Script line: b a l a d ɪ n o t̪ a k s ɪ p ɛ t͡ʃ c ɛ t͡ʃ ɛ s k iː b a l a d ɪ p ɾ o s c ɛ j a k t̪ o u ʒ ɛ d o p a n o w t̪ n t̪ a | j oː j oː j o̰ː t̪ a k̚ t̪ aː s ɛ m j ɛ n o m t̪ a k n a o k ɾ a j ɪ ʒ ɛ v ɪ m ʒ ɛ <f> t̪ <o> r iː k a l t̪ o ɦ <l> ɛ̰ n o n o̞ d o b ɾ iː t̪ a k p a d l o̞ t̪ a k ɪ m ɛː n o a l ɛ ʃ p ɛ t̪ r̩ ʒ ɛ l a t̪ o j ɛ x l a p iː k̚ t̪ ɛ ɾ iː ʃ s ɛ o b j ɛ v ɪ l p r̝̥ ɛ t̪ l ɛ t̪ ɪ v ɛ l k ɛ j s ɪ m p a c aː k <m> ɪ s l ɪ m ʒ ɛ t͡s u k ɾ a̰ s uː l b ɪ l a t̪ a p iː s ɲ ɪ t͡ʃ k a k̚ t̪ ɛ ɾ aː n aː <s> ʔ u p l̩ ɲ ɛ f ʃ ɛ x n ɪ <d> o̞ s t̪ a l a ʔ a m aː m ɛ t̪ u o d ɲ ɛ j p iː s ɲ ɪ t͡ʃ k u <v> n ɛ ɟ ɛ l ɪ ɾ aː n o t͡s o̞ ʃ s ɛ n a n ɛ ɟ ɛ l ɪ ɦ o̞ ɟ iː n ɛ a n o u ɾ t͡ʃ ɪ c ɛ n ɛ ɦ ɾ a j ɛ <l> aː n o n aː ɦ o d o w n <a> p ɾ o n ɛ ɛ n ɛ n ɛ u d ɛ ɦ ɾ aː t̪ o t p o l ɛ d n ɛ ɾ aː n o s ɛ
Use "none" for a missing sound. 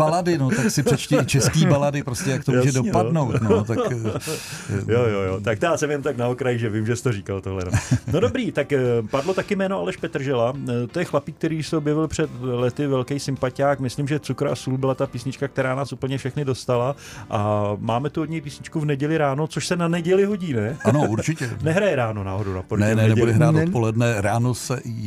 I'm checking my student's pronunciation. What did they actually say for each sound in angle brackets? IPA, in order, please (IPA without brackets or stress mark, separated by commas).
s, o, l, m, s, d, v, ɾ, a